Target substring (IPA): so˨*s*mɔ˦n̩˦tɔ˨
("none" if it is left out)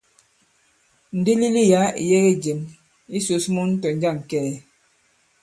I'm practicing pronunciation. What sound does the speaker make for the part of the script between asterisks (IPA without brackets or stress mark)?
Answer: s